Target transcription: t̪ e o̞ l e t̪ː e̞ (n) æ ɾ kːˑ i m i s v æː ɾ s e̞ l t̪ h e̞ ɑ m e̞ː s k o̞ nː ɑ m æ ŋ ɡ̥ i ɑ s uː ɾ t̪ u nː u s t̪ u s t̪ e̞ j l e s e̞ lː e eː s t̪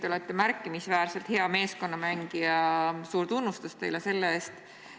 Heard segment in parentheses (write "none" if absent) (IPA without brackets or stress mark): m